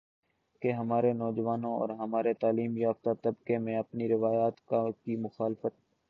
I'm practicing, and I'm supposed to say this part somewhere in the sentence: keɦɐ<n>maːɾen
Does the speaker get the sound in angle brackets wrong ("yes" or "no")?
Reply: yes